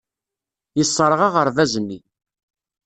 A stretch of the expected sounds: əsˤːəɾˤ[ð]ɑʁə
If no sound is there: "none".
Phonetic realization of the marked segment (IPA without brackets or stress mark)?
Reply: ʁ